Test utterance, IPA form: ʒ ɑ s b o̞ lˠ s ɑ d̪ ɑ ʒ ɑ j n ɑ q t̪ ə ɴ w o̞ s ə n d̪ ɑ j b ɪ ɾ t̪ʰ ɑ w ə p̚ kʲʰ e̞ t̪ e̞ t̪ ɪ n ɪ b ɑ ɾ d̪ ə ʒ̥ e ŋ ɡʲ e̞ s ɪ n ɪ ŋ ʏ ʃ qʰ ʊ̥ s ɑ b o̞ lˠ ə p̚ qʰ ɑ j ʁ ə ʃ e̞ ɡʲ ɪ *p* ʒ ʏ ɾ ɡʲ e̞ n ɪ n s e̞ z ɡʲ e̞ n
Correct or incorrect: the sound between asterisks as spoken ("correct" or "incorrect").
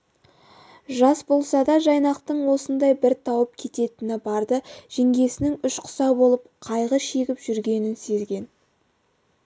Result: correct